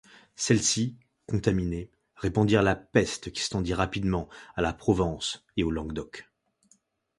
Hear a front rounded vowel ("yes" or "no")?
no